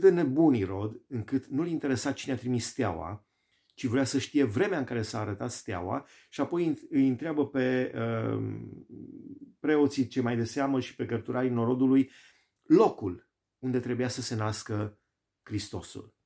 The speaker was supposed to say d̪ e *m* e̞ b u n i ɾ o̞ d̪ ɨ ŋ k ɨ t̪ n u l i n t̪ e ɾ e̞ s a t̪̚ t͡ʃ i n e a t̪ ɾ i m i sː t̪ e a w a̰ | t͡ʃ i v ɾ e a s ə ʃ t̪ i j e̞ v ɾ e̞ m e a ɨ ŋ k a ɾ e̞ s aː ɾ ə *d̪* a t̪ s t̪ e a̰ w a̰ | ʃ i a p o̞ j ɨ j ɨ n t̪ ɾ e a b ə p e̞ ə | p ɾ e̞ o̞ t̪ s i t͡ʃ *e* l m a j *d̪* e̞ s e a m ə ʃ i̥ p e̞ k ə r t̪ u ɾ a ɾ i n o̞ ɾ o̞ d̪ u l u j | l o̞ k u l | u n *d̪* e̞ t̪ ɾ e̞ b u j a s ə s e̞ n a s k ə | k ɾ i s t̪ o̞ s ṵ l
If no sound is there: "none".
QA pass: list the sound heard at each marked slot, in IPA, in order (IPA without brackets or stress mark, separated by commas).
n, t̪, e, d̪, d̪